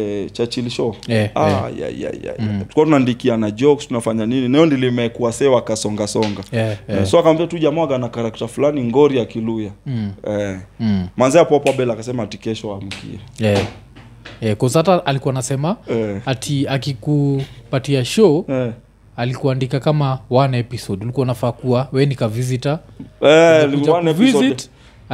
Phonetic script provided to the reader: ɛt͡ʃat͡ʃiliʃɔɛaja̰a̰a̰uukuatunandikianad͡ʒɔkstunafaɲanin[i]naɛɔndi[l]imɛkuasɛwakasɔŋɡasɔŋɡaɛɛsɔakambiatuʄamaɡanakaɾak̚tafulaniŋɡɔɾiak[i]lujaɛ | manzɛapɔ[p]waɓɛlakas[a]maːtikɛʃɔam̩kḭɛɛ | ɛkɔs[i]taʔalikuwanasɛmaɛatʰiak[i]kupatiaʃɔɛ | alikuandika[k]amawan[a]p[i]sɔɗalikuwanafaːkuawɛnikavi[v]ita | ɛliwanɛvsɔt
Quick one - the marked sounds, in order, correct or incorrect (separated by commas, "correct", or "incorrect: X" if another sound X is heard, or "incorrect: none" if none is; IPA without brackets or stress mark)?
correct, correct, correct, correct, incorrect: ɛ, incorrect: a, correct, correct, incorrect: ɛ, correct, incorrect: z